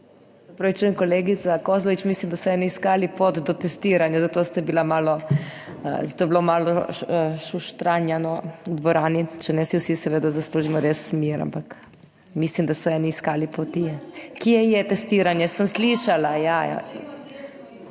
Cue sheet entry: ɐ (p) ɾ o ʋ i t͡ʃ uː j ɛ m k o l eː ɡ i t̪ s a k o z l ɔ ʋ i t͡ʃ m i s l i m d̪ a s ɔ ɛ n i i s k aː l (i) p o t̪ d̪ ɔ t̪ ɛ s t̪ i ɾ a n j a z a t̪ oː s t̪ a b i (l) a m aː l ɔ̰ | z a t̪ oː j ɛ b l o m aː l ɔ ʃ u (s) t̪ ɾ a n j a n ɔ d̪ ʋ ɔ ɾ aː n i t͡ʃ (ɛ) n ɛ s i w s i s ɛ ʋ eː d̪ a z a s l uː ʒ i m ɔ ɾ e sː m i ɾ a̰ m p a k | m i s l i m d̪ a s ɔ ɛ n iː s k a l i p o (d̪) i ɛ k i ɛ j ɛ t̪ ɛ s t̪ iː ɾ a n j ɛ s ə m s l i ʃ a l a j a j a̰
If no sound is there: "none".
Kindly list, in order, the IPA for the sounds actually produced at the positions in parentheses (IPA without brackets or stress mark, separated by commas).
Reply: p, i, l, ʃ, ɛ, t̪